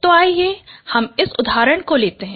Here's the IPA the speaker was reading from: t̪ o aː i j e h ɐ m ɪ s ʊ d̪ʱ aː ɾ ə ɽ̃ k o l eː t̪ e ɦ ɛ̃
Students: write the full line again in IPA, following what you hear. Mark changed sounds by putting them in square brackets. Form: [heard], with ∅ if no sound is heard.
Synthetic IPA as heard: t̪ o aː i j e h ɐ m ɪ s ʊ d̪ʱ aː ɾ ə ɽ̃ k o l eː t̪ e ɦ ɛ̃